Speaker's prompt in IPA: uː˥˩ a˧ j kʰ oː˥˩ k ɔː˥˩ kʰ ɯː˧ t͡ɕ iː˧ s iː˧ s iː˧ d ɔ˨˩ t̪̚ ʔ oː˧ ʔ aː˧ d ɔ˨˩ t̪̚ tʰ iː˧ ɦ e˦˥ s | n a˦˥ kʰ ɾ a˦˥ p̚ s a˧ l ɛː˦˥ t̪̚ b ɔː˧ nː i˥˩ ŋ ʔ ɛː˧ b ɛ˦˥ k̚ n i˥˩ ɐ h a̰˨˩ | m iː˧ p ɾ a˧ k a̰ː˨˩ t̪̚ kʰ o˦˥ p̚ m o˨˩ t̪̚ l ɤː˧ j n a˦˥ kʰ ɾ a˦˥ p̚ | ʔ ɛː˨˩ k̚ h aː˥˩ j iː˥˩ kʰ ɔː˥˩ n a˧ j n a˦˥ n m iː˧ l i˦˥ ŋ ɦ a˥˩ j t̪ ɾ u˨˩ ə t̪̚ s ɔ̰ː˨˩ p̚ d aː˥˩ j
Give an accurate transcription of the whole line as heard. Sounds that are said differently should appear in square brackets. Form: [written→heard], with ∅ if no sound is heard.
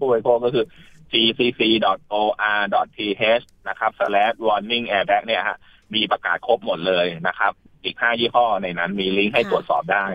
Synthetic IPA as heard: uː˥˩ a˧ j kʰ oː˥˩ k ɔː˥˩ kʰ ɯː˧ t͡ɕ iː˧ s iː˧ s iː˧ d ɔ˨˩ t̪̚ ʔ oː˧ ʔ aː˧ d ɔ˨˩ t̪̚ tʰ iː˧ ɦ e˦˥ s | n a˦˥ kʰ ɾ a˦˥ p̚ s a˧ l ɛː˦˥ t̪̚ [b→w] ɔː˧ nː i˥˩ ŋ ʔ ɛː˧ b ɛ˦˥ k̚ n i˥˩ ɐ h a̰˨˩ | m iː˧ p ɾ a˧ k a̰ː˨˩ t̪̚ kʰ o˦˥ p̚ m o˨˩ t̪̚ l ɤː˧ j n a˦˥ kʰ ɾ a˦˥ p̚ | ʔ [ɛː˨˩→iː˨˩] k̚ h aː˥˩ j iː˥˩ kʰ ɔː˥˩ n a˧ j n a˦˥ n m iː˧ l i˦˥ ŋ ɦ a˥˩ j t̪ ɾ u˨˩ ə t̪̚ s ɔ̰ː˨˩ p̚ d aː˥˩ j